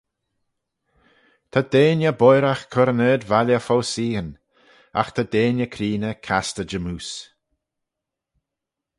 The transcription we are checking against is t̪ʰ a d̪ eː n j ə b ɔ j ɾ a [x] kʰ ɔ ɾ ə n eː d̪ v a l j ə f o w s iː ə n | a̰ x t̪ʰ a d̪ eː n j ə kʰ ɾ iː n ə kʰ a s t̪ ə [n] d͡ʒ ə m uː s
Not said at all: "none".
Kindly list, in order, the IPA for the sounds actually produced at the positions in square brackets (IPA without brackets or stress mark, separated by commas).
x, none